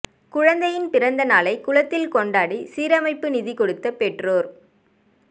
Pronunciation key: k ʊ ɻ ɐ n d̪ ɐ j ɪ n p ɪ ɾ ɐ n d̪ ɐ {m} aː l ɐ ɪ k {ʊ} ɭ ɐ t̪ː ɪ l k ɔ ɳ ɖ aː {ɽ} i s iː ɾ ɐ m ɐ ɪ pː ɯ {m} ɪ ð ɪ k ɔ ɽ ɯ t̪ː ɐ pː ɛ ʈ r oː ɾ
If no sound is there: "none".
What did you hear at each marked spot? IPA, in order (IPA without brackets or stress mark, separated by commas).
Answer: n, ʊ, ɽ, n